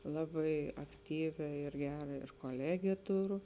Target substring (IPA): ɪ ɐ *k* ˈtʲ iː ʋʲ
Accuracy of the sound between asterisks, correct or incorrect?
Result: correct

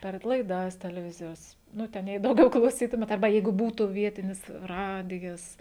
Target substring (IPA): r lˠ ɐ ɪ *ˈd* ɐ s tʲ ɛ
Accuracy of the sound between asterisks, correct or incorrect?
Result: correct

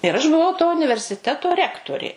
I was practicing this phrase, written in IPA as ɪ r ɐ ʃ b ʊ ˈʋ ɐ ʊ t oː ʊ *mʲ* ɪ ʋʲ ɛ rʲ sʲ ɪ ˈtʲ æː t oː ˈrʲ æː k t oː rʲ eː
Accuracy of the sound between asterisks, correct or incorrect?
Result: incorrect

